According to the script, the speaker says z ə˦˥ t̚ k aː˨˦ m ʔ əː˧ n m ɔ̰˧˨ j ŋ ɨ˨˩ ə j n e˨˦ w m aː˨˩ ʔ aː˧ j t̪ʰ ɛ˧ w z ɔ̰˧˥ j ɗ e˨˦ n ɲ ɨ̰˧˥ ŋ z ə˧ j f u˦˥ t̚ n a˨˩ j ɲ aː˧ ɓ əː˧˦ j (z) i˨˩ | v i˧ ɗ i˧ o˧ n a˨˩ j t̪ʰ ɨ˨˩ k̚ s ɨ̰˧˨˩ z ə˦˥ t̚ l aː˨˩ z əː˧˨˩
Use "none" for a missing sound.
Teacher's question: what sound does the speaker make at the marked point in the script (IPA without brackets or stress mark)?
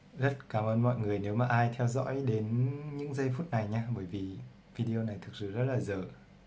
v